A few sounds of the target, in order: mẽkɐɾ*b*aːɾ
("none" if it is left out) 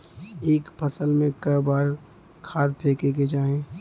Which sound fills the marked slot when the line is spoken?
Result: b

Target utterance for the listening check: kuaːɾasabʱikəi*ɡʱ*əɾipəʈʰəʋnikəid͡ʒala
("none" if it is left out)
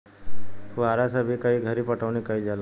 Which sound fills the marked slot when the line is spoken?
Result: ɡʱ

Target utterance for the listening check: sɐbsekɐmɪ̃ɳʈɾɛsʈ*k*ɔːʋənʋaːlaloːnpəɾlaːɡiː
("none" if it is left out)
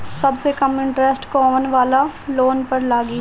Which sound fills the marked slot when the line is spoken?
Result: k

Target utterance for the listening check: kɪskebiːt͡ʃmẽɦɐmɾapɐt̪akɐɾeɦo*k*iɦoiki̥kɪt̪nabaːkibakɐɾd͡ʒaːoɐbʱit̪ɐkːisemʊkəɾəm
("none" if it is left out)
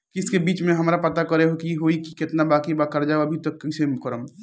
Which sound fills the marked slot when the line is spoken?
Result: k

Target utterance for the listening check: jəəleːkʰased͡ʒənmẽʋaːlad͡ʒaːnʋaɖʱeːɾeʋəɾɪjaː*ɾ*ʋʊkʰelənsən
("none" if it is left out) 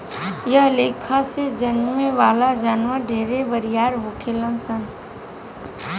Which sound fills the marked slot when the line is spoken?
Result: ɾ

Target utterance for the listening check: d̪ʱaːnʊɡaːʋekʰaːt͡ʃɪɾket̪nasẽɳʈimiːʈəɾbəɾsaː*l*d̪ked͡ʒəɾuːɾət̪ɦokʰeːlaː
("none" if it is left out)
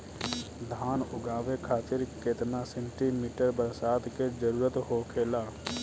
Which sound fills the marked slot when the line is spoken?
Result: none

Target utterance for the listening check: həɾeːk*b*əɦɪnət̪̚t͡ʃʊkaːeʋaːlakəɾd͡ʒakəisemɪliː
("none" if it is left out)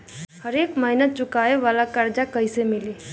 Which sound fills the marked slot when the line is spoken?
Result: m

